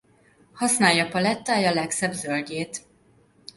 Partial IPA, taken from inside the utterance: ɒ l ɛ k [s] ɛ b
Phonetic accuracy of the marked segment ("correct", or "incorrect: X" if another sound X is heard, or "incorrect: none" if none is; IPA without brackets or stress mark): correct